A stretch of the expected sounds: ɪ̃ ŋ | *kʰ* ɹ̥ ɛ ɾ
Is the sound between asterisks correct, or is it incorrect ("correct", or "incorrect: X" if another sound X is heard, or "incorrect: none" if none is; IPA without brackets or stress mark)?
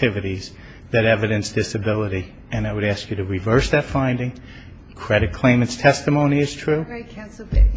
correct